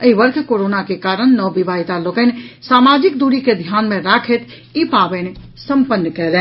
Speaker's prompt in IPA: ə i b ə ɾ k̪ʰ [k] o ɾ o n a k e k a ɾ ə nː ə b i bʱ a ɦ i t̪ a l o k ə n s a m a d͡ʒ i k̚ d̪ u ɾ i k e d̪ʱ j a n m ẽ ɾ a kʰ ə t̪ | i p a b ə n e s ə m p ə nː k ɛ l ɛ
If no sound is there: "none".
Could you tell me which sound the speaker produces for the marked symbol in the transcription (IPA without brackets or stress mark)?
k